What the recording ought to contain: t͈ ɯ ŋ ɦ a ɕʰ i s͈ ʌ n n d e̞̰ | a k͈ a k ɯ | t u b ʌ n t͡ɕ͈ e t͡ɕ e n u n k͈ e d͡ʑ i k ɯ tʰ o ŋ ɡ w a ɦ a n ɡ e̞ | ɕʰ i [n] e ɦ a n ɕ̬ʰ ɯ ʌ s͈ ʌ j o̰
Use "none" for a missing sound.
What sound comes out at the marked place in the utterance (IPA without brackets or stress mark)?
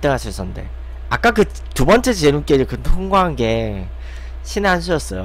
n